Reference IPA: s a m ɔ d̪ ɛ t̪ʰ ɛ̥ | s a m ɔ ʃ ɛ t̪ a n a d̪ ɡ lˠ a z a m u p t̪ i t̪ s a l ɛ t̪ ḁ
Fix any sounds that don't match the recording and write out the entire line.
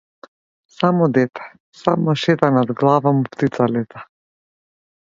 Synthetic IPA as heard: s a m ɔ d̪ ɛ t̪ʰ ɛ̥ | s a m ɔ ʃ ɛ t̪ a n a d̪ ɡ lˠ a v a m u p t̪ i t̪ s a l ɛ t̪ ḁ